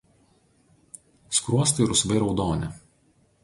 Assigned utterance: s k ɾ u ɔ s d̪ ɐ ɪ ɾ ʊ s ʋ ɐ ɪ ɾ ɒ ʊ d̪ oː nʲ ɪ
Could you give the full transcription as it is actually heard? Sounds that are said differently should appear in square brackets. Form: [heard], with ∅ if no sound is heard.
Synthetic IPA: s k ɾ u ɔ s [t̪] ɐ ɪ ɾ ʊ s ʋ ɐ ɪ ɾ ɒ ʊ d̪ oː nʲ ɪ